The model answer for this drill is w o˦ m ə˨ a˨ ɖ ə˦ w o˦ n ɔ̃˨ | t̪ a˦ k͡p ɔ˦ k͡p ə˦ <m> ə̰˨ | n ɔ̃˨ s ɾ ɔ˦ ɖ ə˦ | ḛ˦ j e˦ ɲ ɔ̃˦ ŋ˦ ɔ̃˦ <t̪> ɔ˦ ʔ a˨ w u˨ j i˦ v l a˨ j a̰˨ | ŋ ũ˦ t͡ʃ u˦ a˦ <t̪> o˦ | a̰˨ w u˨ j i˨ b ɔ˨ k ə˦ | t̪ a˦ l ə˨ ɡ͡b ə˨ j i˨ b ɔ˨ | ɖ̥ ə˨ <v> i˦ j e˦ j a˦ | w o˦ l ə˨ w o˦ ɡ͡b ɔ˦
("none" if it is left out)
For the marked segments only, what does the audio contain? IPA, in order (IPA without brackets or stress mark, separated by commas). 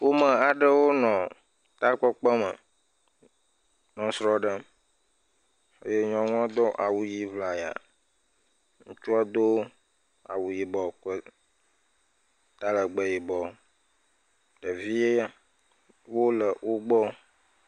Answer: m, d̪, d̪, v